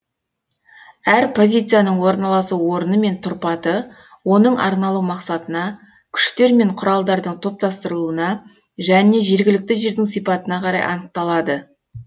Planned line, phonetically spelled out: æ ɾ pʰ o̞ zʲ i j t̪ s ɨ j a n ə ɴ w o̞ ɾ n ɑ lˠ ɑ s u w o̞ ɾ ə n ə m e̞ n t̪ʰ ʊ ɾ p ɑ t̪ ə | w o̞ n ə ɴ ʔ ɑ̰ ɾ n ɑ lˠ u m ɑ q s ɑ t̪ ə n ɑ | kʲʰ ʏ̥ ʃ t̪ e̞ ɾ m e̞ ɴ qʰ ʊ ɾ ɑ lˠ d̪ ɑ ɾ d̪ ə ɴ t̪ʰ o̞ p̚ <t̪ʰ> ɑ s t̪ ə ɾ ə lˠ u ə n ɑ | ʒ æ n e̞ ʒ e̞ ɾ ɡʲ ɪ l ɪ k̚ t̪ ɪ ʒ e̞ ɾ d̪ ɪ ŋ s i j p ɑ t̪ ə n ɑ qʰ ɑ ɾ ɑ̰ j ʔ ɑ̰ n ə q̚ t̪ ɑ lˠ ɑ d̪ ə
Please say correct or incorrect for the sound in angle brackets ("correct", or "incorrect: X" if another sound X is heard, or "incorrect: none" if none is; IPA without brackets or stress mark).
incorrect: t̪